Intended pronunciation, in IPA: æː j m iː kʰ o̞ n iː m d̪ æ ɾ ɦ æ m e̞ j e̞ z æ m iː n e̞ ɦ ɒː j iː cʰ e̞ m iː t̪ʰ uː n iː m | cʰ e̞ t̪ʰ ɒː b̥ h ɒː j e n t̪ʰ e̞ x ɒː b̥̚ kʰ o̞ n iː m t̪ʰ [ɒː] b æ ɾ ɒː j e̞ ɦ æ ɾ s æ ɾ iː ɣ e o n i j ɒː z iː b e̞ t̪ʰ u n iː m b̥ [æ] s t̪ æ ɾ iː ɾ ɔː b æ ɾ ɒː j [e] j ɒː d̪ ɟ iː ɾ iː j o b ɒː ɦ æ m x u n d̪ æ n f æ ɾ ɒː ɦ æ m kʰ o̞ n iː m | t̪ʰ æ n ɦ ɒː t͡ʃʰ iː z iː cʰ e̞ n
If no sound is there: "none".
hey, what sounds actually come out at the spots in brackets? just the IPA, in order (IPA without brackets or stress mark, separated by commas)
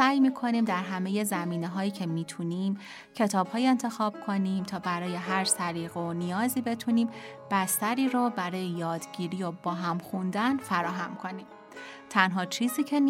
ɒː, æ, e